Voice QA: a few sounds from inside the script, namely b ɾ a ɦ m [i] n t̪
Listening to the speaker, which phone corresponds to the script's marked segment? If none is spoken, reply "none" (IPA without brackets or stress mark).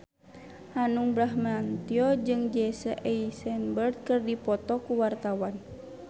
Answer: a